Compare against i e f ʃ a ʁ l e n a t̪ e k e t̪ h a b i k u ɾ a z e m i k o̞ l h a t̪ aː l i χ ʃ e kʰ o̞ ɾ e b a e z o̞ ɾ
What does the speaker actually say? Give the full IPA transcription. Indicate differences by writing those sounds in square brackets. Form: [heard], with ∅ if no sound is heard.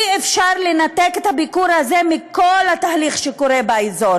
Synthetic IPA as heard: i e f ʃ a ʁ l e n a t̪ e k e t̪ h a b i k u ɾ a z e m i k o̞ l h a t̪ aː l i χ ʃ e [k] o̞ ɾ e b a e z o̞ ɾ